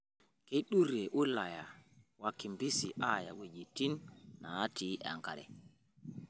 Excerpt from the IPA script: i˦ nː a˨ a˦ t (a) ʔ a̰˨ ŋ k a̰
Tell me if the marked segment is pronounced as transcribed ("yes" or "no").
no